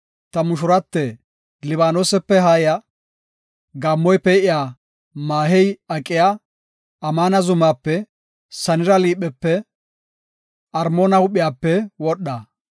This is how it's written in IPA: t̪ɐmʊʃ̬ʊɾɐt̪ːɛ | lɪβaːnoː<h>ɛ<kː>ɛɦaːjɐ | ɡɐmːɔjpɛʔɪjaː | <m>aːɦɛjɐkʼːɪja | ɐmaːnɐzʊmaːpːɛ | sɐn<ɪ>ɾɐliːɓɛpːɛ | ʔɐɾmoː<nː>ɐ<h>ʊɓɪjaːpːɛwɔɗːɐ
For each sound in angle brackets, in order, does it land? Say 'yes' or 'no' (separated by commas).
no, no, yes, yes, no, yes